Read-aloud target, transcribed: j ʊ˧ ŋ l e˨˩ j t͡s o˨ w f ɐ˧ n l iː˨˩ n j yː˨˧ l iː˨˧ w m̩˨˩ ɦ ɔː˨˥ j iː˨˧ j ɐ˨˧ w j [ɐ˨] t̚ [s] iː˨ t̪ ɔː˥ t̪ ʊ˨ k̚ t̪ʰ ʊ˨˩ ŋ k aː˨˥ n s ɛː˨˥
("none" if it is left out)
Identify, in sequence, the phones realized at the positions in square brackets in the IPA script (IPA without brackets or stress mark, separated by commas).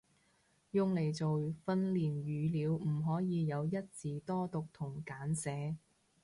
ɐ˥, t͡s